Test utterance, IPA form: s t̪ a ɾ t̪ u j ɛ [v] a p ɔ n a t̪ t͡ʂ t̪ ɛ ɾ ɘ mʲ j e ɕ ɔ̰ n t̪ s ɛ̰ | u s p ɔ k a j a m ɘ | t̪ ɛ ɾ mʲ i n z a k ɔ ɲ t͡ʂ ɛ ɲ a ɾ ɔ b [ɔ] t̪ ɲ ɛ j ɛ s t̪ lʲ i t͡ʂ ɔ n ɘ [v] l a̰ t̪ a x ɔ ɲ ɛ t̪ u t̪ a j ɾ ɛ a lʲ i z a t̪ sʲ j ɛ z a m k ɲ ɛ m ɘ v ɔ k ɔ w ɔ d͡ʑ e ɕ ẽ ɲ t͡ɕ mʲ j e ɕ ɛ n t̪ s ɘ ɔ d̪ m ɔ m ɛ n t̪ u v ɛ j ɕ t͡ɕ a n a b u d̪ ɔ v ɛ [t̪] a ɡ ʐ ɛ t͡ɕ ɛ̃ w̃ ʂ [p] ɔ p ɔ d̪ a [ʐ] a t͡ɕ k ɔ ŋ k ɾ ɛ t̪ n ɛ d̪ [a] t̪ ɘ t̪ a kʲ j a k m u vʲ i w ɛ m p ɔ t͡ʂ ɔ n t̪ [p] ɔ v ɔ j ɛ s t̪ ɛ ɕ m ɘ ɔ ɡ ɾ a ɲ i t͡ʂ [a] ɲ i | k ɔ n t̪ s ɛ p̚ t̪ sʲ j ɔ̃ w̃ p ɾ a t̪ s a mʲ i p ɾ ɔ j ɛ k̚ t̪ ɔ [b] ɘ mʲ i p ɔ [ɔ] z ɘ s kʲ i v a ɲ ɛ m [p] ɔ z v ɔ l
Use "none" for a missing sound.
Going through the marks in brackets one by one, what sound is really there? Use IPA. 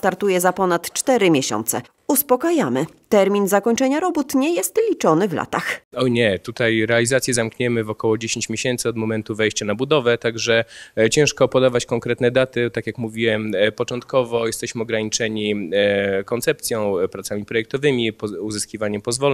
z, u, v, t̪, k, v, a, k, ɛ, v, u, p

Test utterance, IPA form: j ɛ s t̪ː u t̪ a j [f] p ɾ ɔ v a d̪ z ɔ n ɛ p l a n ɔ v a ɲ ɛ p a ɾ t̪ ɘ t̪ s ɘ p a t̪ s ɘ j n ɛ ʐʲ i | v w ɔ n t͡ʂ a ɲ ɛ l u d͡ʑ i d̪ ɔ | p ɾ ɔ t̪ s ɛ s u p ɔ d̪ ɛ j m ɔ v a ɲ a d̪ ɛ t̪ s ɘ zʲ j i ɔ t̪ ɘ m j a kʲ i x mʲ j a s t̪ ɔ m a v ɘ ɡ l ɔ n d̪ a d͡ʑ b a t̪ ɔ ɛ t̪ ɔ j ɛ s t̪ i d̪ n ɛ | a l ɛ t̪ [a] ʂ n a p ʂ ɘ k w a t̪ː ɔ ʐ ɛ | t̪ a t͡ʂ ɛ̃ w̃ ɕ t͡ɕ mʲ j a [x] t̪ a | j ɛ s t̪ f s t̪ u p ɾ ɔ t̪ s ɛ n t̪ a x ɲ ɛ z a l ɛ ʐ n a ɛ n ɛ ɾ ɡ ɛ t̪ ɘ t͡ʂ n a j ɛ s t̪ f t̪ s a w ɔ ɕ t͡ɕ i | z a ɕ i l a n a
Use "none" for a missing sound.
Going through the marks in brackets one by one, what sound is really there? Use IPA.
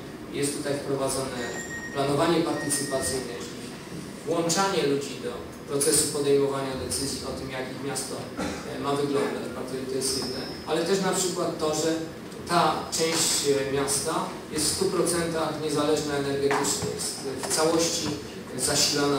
f, ɛ, s

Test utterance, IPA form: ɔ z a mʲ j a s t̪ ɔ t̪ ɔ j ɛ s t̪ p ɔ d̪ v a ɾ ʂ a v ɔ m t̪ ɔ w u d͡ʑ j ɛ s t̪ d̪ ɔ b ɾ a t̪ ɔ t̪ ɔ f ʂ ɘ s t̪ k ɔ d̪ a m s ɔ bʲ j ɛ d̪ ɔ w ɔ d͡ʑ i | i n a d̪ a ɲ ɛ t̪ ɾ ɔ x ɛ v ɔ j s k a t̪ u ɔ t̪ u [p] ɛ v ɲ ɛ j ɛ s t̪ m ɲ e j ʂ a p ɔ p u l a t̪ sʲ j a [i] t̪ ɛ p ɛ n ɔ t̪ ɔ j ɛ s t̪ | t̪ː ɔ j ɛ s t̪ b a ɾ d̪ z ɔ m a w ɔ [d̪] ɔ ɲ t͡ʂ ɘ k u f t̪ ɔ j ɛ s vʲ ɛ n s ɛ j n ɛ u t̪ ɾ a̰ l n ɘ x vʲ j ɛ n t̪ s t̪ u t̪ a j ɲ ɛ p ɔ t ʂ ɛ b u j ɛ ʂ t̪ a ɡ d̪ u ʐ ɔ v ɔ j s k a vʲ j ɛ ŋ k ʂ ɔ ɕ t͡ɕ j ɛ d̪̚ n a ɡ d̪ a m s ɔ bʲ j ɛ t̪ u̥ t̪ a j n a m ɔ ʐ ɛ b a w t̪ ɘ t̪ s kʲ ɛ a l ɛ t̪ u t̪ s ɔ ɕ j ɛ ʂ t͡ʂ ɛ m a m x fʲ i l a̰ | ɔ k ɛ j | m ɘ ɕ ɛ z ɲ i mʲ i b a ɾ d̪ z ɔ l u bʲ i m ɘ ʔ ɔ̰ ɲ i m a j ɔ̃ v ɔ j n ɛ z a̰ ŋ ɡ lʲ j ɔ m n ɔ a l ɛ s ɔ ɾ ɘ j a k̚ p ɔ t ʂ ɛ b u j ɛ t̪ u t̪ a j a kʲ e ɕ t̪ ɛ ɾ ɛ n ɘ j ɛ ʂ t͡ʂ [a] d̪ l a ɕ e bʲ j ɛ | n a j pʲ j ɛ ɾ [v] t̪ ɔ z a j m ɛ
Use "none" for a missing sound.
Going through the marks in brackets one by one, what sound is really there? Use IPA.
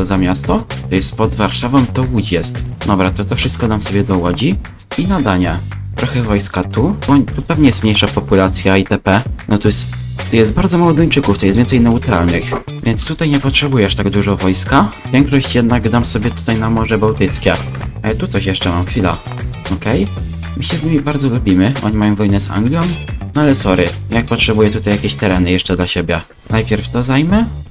p, i, d̪, ɛ, f

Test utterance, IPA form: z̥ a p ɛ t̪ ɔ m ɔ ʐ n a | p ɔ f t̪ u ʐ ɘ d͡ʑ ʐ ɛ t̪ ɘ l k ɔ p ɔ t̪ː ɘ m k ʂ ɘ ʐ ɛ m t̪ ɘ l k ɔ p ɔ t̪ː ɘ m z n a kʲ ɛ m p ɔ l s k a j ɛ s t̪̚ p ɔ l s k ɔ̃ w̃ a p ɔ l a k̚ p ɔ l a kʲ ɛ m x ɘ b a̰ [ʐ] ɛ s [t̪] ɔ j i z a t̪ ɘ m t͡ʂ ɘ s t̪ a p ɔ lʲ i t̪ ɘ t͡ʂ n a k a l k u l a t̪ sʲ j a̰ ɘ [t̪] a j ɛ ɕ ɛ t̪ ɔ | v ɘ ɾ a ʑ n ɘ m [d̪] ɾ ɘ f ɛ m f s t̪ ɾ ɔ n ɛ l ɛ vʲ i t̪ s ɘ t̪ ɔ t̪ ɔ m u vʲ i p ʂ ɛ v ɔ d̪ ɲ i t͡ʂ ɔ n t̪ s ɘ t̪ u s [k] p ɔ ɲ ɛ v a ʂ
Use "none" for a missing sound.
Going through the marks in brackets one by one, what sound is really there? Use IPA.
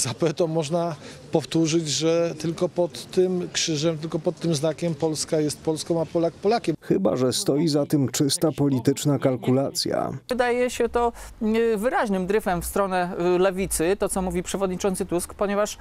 ʐ, t̪, d̪, d̪, k

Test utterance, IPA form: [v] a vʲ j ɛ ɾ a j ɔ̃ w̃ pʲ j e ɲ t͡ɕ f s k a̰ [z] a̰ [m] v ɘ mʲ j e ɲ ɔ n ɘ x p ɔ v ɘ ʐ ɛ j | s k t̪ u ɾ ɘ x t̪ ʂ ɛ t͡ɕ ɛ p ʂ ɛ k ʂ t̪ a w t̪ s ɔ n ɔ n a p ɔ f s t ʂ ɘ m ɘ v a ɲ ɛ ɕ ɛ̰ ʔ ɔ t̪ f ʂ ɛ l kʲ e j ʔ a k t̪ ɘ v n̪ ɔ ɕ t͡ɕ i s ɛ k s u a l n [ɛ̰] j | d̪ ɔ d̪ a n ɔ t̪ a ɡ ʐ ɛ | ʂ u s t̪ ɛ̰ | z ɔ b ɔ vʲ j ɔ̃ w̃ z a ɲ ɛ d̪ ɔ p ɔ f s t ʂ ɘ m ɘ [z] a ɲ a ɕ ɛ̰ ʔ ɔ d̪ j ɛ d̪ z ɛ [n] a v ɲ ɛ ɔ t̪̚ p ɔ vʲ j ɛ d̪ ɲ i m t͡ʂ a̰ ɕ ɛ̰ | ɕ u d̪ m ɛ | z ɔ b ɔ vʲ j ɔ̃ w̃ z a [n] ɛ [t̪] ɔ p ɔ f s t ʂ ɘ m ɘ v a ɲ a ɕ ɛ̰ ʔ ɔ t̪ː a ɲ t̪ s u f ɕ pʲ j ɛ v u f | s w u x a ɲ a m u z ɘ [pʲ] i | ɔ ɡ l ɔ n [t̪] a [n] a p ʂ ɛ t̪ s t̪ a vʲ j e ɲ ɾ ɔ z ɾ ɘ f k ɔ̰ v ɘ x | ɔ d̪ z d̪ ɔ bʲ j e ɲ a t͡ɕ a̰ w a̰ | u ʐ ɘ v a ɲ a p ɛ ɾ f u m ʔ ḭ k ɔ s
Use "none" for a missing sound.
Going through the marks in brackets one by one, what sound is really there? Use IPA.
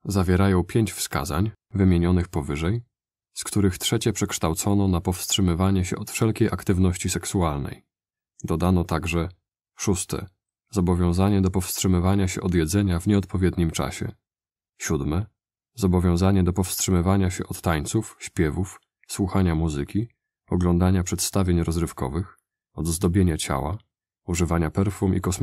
z, z, ɲ, ɛ̰, v, ɲ, ɲ, d̪, kʲ, d̪, ɲ

